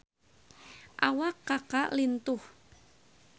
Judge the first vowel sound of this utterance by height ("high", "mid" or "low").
low